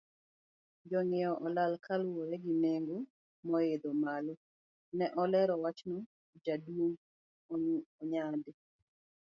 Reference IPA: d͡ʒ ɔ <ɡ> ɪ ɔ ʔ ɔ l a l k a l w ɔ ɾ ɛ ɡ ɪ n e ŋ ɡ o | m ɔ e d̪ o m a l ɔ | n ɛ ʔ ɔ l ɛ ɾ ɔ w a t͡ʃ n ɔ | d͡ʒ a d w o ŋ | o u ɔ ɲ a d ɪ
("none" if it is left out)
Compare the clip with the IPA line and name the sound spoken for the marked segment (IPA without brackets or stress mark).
ŋ